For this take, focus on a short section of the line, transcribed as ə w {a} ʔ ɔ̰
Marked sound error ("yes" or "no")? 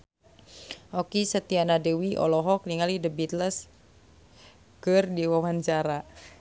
yes